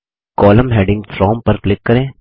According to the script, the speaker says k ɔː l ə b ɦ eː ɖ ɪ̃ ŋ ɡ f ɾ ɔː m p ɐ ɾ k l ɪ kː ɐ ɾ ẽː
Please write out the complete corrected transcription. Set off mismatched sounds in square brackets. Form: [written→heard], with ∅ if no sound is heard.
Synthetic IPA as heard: k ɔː l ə [b→m] ɦ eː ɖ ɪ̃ ŋ ɡ f ɾ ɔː m p ɐ ɾ k l ɪ kː ɐ ɾ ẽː